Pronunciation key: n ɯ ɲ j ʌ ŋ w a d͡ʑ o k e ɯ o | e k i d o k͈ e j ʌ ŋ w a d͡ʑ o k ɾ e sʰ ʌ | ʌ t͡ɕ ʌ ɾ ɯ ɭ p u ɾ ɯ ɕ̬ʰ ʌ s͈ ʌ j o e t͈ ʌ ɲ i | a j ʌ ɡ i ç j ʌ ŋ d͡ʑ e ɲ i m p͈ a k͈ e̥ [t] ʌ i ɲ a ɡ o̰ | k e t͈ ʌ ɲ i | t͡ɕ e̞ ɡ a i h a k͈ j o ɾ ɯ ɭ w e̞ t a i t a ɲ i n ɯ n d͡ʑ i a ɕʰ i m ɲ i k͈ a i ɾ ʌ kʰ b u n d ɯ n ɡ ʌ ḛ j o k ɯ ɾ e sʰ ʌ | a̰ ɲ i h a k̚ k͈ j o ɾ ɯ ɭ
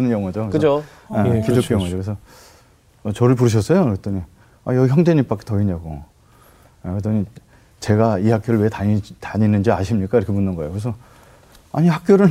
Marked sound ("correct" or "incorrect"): correct